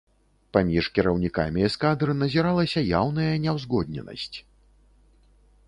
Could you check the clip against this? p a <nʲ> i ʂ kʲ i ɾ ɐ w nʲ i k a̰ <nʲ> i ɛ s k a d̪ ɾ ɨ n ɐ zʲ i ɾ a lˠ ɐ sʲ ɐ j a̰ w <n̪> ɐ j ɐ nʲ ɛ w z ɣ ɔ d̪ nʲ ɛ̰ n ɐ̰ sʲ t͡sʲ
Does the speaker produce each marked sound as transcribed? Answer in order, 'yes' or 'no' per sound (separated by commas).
no, no, yes